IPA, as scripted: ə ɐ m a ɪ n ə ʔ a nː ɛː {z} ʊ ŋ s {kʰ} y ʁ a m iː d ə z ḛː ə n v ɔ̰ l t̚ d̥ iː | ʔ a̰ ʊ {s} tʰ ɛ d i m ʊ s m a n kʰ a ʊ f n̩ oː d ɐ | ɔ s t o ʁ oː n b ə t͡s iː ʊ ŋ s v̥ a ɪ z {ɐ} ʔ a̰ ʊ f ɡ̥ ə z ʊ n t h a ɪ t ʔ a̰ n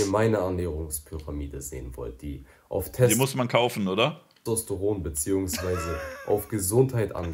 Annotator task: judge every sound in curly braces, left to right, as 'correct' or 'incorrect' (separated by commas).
incorrect, incorrect, incorrect, incorrect